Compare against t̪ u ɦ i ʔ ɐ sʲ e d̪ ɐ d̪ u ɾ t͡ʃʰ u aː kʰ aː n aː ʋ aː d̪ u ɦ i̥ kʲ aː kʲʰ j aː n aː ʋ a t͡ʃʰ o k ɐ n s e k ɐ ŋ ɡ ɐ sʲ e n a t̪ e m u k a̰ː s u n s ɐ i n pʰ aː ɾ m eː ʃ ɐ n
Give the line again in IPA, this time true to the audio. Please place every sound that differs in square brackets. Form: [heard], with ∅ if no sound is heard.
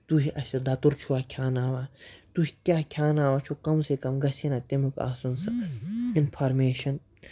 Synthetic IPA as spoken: t̪ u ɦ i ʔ ɐ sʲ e d̪ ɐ [t̪] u ɾ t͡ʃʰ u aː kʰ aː n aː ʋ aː [t̪] u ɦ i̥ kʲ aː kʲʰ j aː n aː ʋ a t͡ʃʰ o k ɐ [m] s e k ɐ [m] ɡ ɐ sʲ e n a t̪ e m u k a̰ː s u n s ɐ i n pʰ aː ɾ m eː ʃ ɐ n